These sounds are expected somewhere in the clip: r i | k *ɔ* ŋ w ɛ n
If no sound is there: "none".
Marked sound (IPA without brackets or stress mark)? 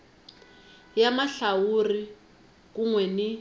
u